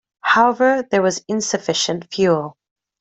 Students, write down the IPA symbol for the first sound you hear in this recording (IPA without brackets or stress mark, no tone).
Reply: h